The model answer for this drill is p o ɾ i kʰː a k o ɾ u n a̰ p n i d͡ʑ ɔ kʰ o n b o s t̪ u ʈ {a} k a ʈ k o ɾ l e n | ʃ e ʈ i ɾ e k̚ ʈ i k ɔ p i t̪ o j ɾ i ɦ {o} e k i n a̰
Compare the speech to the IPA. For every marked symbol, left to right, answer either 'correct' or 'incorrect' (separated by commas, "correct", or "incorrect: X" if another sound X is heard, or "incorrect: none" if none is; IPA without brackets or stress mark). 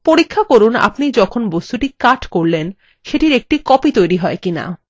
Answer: incorrect: i, incorrect: ɔ